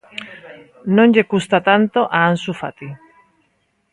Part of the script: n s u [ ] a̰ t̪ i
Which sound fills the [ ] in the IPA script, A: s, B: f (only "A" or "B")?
B